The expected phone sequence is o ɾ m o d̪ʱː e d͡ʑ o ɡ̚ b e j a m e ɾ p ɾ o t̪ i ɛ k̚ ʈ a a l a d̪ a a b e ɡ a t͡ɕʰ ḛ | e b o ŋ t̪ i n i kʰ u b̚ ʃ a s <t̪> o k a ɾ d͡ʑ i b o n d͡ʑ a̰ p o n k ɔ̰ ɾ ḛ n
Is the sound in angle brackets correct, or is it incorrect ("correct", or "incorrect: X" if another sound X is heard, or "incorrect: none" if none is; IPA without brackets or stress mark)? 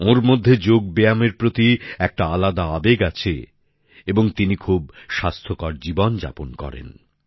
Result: incorrect: t̪ʰ